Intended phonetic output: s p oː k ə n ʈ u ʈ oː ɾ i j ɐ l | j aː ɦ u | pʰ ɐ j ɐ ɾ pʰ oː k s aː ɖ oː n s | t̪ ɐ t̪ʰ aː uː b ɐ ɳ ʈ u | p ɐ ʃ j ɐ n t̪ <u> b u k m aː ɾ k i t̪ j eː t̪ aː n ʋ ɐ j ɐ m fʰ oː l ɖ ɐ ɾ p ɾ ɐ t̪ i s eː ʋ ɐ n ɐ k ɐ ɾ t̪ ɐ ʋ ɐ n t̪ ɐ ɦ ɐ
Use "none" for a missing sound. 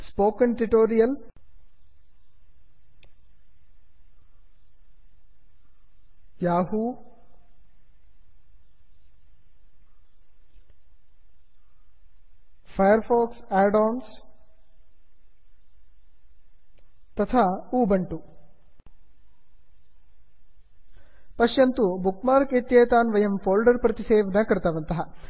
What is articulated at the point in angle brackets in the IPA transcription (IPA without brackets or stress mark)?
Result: u